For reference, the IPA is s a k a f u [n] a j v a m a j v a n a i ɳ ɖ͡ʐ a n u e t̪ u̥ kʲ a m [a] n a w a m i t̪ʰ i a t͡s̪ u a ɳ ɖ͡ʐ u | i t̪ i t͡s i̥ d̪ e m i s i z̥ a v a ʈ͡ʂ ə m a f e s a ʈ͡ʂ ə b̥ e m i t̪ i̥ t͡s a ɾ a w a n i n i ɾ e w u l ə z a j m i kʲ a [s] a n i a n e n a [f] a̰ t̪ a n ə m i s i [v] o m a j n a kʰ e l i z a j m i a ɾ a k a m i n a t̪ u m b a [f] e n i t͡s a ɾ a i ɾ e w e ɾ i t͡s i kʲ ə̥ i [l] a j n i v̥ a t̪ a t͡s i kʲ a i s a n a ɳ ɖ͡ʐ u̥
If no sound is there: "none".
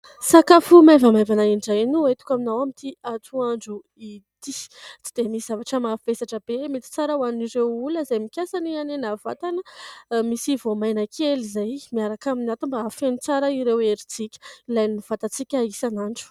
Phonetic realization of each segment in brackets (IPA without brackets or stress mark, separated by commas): m, i, s, v, v, f, l